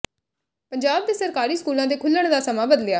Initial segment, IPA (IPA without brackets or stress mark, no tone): p